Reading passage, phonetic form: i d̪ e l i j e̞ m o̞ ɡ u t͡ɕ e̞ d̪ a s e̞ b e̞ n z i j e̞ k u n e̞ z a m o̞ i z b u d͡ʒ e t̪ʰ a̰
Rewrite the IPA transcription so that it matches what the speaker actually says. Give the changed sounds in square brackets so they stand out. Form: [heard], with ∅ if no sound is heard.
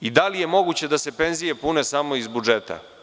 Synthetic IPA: i d̪ [a] l i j e̞ m o̞ ɡ u t͡ɕ e̞ d̪ a s e̞ [p] e̞ n z i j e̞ [p] u n e̞ [s] a m o̞ i z b u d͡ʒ e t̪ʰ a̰